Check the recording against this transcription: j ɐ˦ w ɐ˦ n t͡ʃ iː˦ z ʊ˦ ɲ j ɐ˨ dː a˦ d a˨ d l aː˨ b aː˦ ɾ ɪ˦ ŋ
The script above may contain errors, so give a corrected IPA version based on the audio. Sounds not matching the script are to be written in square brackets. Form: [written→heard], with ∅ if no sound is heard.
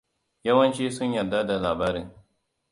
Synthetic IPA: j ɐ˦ w ɐ˦ n t͡ʃ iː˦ [z→s] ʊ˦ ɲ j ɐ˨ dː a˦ d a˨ [d→∅] l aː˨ b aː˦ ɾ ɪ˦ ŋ